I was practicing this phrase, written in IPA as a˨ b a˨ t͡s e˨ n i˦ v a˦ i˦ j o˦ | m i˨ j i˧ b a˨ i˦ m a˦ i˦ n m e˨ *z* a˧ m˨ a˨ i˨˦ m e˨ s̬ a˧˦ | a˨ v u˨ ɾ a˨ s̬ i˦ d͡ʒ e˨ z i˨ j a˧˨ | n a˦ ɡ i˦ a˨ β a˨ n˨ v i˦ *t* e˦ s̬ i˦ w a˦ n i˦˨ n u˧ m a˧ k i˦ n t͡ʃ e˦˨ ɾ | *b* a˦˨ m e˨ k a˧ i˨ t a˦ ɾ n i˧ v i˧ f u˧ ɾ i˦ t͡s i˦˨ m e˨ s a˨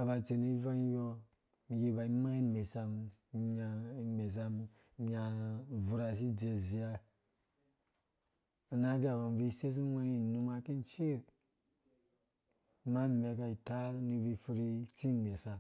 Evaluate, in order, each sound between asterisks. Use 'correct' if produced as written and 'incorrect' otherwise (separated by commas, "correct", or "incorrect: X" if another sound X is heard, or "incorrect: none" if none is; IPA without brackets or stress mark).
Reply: incorrect: s, incorrect: s, incorrect: m